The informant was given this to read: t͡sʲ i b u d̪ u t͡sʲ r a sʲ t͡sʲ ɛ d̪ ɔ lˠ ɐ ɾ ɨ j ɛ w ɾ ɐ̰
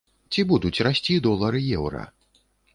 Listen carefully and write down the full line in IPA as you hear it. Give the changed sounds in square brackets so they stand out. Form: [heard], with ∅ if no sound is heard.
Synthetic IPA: t͡sʲ i b u d̪ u t͡sʲ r a sʲ t͡sʲ [i] d̪ ɔ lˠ ɐ ɾ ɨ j ɛ w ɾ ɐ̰